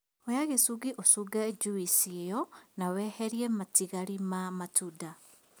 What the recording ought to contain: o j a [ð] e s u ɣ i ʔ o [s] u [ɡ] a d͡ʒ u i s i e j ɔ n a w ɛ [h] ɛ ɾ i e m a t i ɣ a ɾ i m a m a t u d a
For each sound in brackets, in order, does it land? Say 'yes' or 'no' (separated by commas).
no, yes, yes, yes